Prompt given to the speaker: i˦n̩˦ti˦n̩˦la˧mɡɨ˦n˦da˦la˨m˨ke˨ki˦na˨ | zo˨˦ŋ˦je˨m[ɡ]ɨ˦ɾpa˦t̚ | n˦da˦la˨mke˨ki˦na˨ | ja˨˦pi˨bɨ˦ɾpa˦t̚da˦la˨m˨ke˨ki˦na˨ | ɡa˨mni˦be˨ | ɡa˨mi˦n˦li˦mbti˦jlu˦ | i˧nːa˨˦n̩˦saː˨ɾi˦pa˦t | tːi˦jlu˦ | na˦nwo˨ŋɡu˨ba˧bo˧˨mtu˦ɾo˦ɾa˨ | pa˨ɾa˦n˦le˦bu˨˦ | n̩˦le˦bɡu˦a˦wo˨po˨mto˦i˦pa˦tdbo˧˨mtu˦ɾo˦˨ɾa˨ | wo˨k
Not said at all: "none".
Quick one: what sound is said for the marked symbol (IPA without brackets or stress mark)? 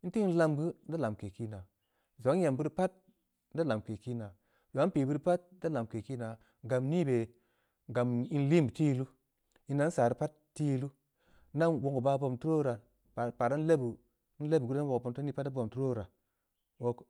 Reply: b